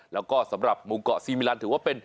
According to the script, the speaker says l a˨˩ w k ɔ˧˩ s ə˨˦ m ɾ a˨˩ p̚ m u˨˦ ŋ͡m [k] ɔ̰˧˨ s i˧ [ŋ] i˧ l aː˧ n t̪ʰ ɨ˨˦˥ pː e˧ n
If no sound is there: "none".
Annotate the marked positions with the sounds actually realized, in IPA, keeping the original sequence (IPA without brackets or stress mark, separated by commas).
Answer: k, m